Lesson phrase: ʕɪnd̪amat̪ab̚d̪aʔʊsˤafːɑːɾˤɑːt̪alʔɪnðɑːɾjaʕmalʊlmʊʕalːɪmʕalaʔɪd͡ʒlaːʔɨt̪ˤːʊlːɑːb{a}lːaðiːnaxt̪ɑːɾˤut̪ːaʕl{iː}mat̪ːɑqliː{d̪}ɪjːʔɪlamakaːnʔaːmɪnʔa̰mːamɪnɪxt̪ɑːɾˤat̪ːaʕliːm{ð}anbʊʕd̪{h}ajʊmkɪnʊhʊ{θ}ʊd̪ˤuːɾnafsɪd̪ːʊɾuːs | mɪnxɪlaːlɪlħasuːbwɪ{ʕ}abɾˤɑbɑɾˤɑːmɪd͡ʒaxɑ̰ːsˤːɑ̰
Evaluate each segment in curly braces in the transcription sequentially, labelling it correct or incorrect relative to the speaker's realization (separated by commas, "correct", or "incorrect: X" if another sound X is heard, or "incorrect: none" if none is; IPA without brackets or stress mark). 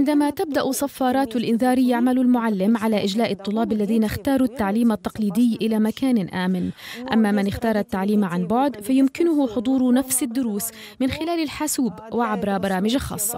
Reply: correct, correct, correct, incorrect: ʕ, incorrect: f, incorrect: ħ, correct